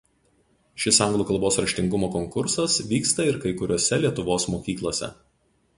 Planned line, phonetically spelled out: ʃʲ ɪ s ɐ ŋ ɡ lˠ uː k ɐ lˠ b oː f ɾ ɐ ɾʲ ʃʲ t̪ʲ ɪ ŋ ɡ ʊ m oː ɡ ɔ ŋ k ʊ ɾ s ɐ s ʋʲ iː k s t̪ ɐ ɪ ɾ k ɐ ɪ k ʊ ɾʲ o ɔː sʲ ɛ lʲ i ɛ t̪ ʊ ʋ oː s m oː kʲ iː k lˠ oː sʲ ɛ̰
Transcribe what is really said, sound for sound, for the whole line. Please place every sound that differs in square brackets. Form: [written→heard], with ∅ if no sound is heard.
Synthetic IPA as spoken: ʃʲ ɪ s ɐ ŋ ɡ lˠ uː k ɐ lˠ b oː [f→s] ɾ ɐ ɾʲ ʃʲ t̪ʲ ɪ ŋ ɡ ʊ m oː [ɡ→k] ɔ ŋ k ʊ ɾ s ɐ s ʋʲ iː k s t̪ ɐ ɪ ɾ k ɐ ɪ k ʊ ɾʲ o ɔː sʲ ɛ lʲ i ɛ t̪ ʊ ʋ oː s m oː kʲ iː k lˠ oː sʲ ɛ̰